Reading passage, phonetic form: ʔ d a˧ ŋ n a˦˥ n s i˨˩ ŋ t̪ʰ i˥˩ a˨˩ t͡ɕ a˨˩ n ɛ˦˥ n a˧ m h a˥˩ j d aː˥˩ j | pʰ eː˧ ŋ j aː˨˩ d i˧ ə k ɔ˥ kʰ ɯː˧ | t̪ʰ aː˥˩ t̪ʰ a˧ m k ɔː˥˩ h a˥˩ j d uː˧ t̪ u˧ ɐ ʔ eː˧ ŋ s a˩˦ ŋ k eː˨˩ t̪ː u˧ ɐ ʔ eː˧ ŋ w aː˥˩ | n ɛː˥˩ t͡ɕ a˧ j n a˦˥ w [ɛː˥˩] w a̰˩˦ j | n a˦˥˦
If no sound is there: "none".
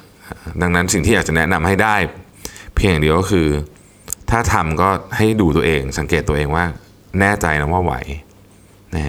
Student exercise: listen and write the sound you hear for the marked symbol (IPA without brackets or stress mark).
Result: aː˥˩